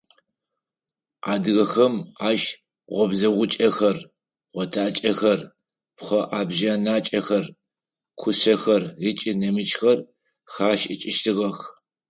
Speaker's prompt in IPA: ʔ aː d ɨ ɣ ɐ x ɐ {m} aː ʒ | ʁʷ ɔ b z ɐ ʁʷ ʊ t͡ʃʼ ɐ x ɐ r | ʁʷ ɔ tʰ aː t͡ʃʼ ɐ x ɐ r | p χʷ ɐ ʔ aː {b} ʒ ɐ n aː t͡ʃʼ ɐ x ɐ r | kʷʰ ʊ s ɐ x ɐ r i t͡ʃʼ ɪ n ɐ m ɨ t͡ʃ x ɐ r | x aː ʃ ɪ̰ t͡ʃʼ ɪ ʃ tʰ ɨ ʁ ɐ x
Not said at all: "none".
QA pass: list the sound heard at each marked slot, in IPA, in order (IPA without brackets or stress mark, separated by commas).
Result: m, b